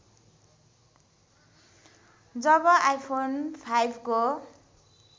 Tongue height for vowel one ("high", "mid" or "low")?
mid